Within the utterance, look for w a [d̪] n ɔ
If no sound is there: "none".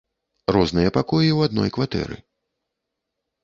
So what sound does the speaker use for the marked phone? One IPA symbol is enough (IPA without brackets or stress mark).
d̪